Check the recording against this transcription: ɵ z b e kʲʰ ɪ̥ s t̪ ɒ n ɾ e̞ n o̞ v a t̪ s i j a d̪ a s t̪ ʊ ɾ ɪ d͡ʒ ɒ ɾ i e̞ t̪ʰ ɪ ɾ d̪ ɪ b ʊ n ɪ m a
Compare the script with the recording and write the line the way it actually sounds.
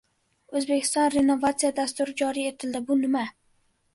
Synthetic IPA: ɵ z b e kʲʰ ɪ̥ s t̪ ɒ n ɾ e̞ n o̞ v a t̪ s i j a d̪ a s t̪ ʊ ɾ ɪ d͡ʒ ɒ ɾ i e̞ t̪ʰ ɪ l d̪ ɪ b ʊ n ɪ m a